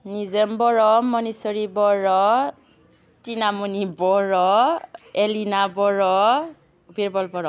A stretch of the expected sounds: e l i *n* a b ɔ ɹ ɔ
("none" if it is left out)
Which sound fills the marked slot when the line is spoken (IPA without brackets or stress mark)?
n